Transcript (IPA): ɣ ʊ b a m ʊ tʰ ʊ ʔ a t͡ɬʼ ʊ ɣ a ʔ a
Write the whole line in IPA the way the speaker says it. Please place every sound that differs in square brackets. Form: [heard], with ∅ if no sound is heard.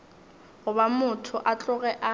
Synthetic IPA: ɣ ʊ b a m ʊ tʰ ʊ ʔ a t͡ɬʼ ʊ ɣ [ɛ] ʔ a